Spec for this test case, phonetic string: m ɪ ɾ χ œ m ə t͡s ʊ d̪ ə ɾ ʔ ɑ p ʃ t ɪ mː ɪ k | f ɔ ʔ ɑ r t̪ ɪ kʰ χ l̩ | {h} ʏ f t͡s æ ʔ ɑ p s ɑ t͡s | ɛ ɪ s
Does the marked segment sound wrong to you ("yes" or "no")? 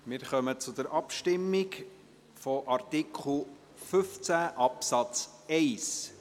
yes